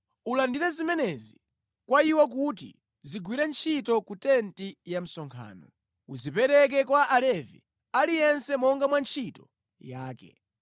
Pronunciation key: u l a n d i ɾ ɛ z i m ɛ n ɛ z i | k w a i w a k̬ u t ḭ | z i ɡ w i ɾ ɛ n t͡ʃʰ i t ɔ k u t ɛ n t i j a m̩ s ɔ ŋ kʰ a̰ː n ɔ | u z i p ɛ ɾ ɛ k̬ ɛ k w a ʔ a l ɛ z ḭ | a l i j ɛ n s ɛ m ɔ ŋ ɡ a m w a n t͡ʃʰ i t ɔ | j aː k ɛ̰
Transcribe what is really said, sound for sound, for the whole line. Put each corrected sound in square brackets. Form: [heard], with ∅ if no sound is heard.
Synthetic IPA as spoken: u l a n d i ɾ ɛ z i m ɛ n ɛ z i | k w a i w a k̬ u t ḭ | z i ɡ w i ɾ ɛ n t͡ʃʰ i t ɔ k u t ɛ n t i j a m̩ s ɔ ŋ kʰ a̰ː n ɔ | u z i p ɛ ɾ ɛ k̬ ɛ k w a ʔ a l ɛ [v] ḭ | a l i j ɛ n s ɛ m ɔ ŋ ɡ a m w a n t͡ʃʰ i t ɔ | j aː k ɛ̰